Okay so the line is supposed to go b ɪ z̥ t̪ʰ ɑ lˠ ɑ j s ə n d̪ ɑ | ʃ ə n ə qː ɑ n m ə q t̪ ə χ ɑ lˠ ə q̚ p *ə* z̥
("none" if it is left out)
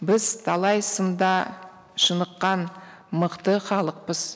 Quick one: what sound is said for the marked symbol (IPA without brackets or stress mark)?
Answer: ə